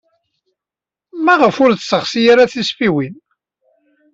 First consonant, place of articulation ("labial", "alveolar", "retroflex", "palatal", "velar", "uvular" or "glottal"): labial